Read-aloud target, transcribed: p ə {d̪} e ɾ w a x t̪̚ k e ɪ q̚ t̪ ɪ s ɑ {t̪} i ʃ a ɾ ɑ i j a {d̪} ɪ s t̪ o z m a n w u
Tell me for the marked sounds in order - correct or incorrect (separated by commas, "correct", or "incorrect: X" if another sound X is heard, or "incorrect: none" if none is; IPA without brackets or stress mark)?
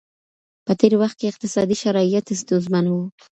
incorrect: t̪, incorrect: d̪, incorrect: t̪